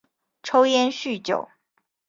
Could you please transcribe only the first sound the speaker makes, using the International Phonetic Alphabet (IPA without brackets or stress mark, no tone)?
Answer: ʈ͡ʂʰ